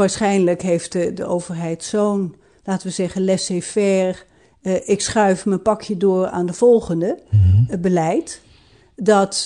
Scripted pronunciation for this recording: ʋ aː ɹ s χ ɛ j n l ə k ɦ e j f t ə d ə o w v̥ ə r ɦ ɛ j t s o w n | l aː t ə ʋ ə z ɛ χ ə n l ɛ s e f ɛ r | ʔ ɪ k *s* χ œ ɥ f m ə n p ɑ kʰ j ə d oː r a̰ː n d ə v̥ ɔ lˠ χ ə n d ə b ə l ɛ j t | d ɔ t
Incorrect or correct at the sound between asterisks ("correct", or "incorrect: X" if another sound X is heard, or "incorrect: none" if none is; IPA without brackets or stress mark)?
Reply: correct